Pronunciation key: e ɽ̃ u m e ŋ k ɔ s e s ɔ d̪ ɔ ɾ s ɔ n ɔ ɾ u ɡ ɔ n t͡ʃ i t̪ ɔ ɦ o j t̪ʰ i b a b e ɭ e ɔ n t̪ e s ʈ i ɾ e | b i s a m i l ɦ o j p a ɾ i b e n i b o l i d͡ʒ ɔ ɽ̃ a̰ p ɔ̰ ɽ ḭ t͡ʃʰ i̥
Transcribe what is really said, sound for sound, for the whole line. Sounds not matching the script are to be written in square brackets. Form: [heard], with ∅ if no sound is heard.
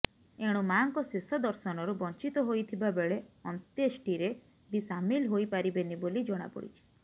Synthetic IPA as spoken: e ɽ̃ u m [a] ŋ k ɔ s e s ɔ d̪ ɔ ɾ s ɔ n ɔ ɾ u [b] ɔ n t͡ʃ i t̪ ɔ ɦ o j t̪ʰ i b a b e ɭ e ɔ n t̪ e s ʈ i ɾ e | b i s a m i l ɦ o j p a ɾ i b e n i b o l i d͡ʒ ɔ ɽ̃ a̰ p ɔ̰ ɽ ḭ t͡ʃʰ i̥